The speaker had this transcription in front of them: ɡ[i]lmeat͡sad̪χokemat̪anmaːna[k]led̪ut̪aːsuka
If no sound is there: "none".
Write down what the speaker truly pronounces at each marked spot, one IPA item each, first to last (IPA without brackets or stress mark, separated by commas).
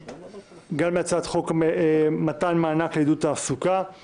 a, k